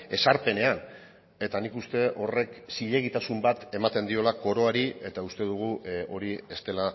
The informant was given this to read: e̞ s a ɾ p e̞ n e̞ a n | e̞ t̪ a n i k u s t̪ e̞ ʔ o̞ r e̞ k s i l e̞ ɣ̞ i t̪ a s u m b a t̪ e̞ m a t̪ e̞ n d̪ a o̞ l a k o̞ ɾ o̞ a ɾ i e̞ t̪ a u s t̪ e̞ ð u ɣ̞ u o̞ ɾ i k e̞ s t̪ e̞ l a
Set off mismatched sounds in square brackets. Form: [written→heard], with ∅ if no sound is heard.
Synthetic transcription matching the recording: e̞ s a ɾ p e̞ n e̞ a n | e̞ t̪ a n i k u s t̪ e̞ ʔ o̞ r e̞ k s i [l→ʎ] e̞ ɣ̞ i t̪ a s u m b a t̪ e̞ m a t̪ e̞ n d̪ [a→i] o̞ l a k o̞ ɾ o̞ a ɾ i e̞ t̪ a u s t̪ e̞ ð u ɣ̞ u o̞ ɾ i [k→∅] e̞ s t̪ e̞ l a